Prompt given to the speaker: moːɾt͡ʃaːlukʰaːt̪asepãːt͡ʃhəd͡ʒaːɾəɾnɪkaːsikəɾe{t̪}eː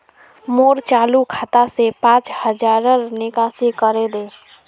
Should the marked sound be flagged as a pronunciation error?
yes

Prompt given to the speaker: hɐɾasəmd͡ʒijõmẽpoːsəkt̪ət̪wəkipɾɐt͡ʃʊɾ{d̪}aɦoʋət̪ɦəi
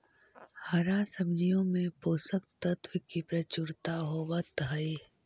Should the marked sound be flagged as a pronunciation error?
yes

